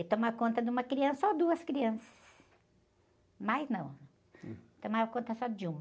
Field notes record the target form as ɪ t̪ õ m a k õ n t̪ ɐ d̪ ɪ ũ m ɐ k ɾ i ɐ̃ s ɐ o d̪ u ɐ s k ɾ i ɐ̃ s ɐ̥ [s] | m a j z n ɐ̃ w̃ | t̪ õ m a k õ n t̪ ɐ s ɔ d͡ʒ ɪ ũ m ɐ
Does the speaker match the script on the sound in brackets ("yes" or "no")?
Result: yes